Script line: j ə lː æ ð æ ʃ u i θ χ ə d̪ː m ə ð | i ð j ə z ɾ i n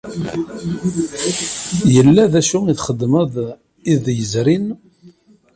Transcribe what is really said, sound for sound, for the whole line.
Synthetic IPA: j ə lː æ ð æ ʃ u i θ χ ə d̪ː m ə ð | i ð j ə z ɾ i n